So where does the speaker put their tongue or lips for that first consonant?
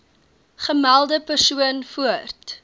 uvula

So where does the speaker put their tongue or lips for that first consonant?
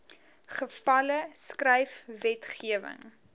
uvula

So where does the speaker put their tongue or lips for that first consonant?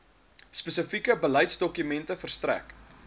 tongue tip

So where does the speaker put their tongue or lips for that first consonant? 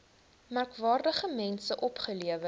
lips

